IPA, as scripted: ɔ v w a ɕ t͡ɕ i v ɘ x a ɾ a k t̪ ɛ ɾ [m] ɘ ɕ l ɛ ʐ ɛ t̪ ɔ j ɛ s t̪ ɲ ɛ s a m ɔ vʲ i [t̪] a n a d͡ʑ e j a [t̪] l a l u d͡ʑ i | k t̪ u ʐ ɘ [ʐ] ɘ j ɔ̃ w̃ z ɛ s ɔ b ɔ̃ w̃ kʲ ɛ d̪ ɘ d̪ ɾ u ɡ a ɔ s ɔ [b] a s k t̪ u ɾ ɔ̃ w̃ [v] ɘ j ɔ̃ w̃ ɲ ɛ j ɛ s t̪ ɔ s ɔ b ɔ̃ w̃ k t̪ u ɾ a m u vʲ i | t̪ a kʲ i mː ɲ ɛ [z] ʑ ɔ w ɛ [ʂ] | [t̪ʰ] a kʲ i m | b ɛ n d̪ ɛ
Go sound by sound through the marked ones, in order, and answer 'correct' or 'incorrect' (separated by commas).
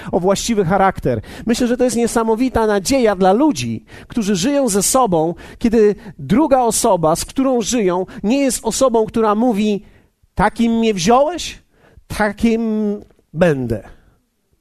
correct, correct, incorrect, correct, correct, incorrect, incorrect, incorrect, correct